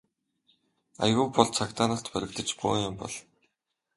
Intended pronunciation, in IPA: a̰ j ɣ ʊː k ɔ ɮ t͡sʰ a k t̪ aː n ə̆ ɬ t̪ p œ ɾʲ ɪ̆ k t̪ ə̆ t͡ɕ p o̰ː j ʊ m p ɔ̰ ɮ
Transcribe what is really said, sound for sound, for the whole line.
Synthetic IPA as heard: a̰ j ɣ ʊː p ɔ ɮ t͡sʰ a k t̪ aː n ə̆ ɬ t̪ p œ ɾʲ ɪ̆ k t̪ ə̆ t͡ɕ p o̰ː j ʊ m p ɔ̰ ɮ